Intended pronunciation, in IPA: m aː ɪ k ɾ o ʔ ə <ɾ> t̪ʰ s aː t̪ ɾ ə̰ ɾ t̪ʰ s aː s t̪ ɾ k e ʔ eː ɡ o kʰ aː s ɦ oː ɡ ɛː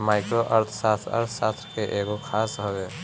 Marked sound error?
no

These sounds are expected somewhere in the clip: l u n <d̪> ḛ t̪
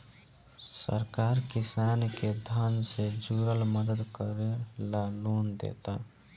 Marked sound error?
no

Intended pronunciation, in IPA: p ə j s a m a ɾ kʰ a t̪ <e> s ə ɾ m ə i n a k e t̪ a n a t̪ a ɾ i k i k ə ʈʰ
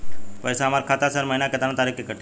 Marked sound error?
yes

